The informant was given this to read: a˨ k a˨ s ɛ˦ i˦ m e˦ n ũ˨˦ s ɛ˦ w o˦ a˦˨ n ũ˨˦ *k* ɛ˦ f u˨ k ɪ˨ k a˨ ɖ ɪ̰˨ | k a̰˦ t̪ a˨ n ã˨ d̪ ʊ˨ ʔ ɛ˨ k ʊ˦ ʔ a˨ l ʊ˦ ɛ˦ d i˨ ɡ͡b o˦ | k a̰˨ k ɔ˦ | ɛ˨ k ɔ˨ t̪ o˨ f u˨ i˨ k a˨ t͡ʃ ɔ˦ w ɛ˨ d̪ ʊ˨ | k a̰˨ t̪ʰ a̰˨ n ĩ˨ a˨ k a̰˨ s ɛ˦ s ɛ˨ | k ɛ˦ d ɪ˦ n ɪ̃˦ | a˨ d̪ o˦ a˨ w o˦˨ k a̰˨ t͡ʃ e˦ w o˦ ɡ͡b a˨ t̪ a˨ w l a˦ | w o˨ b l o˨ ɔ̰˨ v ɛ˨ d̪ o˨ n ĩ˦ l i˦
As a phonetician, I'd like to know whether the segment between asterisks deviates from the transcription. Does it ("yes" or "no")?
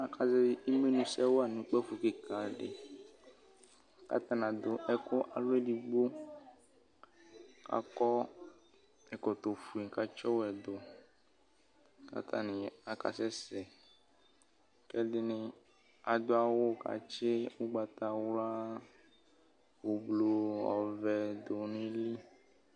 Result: yes